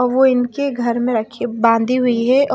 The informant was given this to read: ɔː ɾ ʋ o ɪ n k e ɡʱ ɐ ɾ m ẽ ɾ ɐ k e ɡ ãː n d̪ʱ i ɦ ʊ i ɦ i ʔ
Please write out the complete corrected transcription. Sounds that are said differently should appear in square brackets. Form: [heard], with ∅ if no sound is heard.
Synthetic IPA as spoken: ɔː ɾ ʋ o ɪ n k e ɡʱ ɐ ɾ m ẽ ɾ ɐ [kʰ] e [b] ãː n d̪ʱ i ɦ ʊ i ɦ [ɛ] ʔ